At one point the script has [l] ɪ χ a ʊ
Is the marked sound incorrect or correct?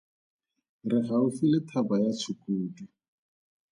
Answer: incorrect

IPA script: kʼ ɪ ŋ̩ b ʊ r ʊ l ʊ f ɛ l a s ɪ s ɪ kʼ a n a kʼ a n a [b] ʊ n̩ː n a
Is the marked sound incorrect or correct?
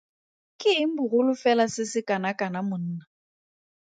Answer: incorrect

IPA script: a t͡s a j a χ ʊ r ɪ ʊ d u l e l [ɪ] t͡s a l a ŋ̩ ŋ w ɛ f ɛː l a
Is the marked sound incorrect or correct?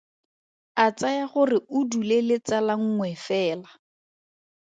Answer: correct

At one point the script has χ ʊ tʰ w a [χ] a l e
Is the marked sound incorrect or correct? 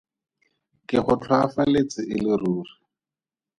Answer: incorrect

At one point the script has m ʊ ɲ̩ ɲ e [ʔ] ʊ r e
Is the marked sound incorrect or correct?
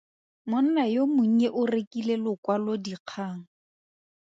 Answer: correct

